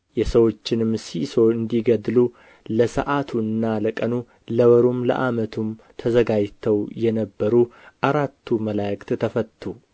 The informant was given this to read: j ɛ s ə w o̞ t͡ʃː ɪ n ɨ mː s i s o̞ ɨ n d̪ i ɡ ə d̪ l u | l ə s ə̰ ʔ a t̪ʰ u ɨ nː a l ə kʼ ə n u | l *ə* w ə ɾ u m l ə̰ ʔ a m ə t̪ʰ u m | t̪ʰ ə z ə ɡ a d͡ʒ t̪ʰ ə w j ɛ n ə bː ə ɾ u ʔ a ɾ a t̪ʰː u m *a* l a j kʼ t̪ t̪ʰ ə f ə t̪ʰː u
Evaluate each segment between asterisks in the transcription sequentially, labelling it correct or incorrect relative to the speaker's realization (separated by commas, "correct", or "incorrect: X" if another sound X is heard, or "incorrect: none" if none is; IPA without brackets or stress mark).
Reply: correct, incorrect: ə